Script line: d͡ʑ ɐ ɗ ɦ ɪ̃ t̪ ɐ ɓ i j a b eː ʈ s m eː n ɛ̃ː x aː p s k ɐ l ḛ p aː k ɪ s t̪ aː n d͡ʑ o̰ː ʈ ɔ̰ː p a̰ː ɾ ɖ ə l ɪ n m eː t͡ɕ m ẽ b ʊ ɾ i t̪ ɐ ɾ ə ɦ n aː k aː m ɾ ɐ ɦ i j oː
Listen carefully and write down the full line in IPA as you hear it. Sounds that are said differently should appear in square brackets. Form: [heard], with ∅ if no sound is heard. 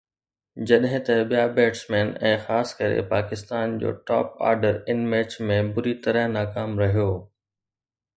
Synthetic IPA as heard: d͡ʑ ɐ ɗ ɦ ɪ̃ t̪ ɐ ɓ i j a b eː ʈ s m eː n ɛ̃ː x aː [∅] s k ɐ [ɾ] ḛ p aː k ɪ s t̪ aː n d͡ʑ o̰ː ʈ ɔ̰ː p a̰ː ɾ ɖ ə [ɾ] ɪ n m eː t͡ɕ m ẽ b ʊ ɾ i t̪ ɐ ɾ ə ɦ n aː k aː m ɾ ɐ ɦ i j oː